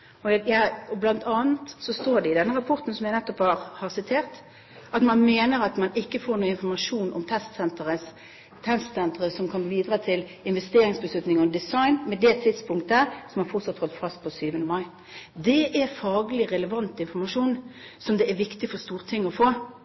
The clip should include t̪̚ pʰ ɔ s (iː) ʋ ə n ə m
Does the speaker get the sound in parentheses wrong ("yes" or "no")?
yes